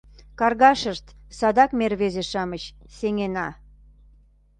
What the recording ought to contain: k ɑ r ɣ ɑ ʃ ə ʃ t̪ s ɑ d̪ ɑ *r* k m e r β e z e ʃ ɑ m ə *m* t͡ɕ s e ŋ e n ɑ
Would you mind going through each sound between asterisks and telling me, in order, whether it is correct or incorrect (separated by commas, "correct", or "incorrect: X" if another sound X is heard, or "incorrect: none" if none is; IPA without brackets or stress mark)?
incorrect: none, incorrect: none